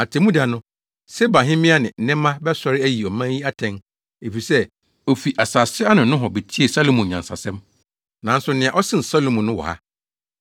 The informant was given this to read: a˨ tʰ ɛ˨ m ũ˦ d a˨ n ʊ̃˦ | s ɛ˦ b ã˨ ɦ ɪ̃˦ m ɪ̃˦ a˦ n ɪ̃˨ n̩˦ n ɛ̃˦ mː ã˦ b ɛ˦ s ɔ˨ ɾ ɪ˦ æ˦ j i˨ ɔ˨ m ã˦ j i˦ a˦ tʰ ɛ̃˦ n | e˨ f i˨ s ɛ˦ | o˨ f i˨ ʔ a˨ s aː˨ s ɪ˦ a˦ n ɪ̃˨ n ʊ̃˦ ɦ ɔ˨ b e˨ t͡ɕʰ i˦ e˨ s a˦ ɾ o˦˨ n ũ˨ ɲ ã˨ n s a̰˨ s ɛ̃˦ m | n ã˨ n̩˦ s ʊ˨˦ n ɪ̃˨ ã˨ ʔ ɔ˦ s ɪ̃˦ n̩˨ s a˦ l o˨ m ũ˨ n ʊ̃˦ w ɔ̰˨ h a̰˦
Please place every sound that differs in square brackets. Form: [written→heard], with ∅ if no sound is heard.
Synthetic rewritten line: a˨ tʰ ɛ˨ m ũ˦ d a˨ n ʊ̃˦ | s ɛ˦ b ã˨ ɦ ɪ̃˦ m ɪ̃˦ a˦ n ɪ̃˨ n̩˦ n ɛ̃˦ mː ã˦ b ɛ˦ s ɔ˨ ɾ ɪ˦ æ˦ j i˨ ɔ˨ m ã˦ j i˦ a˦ tʰ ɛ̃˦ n | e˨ f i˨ s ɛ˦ | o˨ f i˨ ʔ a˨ s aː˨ s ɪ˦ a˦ n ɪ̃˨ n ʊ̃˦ ɦ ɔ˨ b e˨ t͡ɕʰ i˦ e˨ s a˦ [ɾ→l] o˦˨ [n→m] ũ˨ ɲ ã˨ n s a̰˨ s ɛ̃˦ m | n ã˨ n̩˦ s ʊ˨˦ n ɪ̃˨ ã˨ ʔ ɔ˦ s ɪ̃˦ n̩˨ s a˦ l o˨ m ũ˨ n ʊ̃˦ w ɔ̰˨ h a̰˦